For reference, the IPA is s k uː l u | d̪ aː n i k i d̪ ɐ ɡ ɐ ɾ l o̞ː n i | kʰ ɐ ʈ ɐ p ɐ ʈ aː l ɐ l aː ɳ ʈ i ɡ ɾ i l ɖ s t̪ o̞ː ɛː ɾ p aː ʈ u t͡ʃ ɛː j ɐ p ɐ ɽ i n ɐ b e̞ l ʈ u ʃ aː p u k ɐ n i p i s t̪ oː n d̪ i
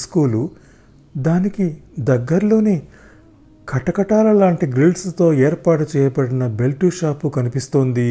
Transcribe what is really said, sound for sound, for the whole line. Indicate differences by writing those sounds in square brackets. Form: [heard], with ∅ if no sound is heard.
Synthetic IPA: s k uː l u | d̪ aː n i k i d̪ ɐ [ɡː] ɐ ɾ l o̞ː n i | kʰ ɐ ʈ ɐ [k] ɐ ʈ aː l ɐ l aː ɳ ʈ i ɡ ɾ i l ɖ s t̪ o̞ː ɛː ɾ p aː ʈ u t͡ʃ ɛː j ɐ p ɐ ɽ i n ɐ b e̞ l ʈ u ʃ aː p u k ɐ n i p i s t̪ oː n d̪ i